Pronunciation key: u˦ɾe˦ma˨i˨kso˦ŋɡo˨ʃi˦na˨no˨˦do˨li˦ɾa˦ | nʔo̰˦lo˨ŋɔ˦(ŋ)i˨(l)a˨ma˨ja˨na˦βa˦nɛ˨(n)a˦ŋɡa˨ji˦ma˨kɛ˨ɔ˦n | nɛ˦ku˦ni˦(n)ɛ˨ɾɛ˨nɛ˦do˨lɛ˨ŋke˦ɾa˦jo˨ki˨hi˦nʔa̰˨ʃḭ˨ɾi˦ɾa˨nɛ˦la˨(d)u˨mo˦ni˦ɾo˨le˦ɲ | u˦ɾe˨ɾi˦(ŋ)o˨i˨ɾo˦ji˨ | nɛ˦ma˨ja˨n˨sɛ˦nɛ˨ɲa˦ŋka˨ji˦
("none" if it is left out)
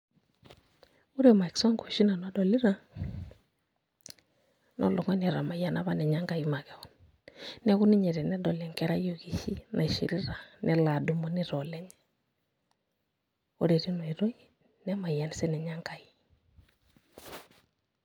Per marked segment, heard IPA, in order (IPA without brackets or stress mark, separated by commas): n, ɾ, ɲ, ɲ, d, n